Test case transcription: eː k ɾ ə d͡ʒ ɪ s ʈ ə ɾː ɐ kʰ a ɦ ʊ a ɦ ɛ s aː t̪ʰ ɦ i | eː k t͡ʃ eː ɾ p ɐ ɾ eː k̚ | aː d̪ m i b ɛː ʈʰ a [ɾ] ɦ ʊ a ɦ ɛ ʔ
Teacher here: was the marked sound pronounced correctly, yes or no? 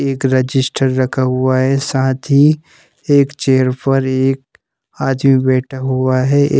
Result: no